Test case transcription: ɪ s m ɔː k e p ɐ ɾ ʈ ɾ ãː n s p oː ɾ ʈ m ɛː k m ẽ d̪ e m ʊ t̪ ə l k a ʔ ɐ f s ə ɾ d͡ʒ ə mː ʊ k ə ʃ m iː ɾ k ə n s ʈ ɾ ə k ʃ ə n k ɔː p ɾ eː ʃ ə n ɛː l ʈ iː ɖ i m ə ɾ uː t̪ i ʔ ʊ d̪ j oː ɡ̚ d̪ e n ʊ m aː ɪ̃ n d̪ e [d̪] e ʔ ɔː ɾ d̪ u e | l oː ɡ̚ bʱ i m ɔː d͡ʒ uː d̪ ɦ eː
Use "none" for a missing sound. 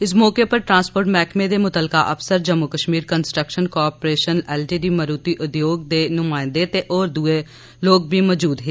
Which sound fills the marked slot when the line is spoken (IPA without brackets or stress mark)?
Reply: t̪